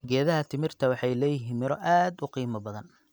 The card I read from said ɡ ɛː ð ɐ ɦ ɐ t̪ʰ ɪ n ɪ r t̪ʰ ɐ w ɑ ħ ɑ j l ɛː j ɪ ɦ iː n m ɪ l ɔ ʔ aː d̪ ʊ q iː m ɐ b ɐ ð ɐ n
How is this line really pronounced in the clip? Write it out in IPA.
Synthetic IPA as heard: ɡ ɛː ð ɐ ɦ ɐ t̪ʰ ɪ m ɪ r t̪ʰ ɐ w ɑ ħ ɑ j l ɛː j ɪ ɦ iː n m ɪ ɾ ɔ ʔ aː d̪ ʊ q iː m ɐ b ɐ ð ɐ n